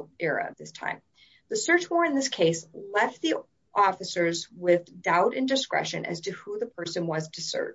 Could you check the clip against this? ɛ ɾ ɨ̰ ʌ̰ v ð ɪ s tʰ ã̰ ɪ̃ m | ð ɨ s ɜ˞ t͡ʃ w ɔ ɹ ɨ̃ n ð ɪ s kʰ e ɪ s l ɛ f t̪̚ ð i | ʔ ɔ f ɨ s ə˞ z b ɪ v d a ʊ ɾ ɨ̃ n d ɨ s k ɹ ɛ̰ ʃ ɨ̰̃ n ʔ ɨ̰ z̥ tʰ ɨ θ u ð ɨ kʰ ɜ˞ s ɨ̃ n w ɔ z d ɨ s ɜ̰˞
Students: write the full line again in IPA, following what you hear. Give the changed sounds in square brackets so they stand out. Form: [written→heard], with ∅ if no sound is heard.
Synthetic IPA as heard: ɛ [ɾ→ɹ] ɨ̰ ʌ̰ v ð ɪ s tʰ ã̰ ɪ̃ m | ð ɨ s ɜ˞ t͡ʃ w ɔ ɹ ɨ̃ n ð ɪ s kʰ e ɪ s l ɛ f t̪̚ ð i | ʔ ɔ f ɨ s ə˞ z [b→w] ɪ [v→ð] d a ʊ ɾ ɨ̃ n d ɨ s k ɹ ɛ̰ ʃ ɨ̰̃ n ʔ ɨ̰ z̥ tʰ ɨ [θ→h] u ð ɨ [kʰ→pʰ] ɜ˞ s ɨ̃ n w [ɔ→ʌ] z d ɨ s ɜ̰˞